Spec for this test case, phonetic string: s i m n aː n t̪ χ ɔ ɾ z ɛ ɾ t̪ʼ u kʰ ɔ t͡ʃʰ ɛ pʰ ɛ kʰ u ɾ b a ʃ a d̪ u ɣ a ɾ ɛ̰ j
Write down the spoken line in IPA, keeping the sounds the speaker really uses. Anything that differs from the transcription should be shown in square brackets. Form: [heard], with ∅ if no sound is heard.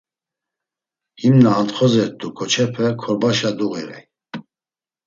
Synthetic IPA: [h] i m n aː n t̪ χ ɔ [∅] z ɛ ɾ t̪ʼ u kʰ ɔ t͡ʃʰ ɛ pʰ ɛ kʰ [ɔ] ɾ b a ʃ a d̪ u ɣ [ɛ] ɾ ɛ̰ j